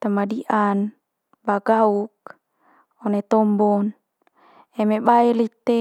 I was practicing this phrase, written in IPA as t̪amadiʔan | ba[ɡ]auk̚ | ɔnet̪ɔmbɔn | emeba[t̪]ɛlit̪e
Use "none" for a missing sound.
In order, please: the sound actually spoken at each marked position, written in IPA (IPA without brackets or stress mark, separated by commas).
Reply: ɡ, none